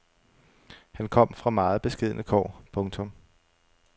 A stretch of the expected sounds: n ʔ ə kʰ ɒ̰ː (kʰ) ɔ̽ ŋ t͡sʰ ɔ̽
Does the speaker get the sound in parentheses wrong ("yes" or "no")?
yes